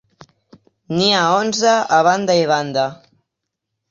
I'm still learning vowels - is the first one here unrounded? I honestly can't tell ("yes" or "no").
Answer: yes